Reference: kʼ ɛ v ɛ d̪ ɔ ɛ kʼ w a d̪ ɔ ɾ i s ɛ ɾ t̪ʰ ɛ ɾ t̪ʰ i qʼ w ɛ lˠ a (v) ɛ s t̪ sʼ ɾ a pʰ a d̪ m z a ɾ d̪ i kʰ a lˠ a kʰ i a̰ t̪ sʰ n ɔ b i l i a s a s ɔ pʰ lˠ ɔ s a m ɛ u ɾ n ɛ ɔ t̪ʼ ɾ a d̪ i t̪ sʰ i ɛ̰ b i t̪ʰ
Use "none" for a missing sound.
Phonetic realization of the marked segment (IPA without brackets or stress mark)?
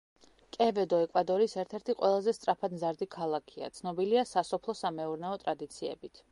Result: z